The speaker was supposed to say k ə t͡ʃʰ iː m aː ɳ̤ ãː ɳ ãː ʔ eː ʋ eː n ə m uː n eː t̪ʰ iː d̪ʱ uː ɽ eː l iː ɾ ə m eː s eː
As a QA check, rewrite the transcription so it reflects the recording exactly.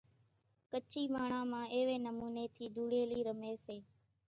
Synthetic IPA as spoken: k ə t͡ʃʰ iː m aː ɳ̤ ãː m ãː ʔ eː ʋ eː n ə m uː n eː t̪ʰ iː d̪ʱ uː ɽ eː l iː ɾ ə m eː s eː